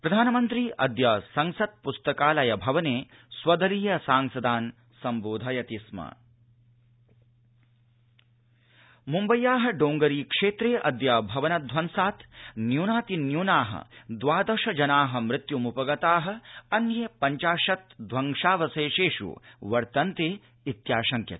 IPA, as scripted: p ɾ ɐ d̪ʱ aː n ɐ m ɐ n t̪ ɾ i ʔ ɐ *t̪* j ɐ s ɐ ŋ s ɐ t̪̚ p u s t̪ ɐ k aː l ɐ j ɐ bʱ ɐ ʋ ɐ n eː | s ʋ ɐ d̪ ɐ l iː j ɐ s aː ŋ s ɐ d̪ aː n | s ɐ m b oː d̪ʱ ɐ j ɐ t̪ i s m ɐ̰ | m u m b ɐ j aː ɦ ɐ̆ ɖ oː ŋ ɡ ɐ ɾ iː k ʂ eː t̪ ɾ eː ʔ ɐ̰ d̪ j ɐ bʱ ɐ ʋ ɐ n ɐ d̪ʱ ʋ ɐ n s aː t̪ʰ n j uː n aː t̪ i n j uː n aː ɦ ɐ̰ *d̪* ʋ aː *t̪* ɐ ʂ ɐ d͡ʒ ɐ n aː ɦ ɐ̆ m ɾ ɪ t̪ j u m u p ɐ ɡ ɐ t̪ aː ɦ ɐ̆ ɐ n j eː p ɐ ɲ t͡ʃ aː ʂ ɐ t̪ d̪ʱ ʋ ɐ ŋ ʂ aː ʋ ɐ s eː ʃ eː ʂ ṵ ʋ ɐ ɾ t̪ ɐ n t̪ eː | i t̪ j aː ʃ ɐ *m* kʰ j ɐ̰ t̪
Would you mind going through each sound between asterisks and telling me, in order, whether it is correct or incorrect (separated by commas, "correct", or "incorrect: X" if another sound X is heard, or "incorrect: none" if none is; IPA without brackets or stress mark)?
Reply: incorrect: d̪, correct, incorrect: d̪, incorrect: ŋ